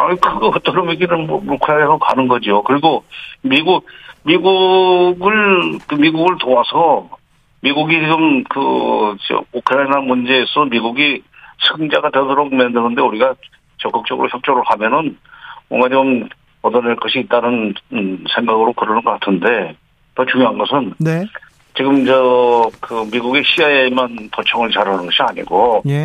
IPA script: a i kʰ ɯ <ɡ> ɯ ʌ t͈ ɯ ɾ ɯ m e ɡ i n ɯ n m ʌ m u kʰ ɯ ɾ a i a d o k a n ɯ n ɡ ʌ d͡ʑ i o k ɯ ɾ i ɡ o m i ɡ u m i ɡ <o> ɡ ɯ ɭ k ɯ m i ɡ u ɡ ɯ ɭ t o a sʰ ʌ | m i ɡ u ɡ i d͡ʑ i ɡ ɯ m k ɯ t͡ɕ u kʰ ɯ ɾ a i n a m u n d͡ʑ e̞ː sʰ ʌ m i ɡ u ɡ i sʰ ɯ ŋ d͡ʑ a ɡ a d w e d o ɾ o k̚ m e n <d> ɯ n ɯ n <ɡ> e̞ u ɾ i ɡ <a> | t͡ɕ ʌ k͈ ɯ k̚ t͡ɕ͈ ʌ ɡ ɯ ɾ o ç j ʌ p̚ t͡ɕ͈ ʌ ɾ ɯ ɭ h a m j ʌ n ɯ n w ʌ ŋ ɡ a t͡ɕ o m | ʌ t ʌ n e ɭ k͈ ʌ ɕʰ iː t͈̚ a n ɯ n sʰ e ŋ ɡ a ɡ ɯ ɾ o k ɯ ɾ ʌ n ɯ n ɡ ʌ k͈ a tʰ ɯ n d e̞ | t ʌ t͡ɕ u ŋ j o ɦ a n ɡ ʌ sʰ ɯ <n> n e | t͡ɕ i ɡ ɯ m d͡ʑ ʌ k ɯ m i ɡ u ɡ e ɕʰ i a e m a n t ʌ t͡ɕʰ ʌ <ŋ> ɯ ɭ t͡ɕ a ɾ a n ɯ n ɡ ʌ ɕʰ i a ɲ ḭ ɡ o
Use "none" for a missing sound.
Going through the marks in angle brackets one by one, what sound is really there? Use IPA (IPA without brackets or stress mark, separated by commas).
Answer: ɡ, u, d, d, a, n, ŋ